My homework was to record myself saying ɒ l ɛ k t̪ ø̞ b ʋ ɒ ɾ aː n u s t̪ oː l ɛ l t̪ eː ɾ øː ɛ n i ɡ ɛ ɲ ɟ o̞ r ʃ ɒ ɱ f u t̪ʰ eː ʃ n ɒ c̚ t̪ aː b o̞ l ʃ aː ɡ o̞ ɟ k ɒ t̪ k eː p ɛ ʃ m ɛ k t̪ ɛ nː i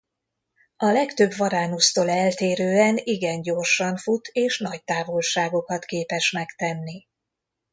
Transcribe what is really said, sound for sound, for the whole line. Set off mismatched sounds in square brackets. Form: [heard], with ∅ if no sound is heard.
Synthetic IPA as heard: ɒ l ɛ k t̪ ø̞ b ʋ ɒ ɾ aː n u s t̪ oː l ɛ l t̪ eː ɾ øː ɛ n i ɡ ɛ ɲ ɟ o̞ r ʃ ɒ ɱ f u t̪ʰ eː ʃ n ɒ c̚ t̪ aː [v] o̞ l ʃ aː ɡ o̞ [∅] k ɒ t̪ k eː p ɛ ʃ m ɛ k t̪ ɛ nː i